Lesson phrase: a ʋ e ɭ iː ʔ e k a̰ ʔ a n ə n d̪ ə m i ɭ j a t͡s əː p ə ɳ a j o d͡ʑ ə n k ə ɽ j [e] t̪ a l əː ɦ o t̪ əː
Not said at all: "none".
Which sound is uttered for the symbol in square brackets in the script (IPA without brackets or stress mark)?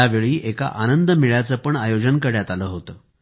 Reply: a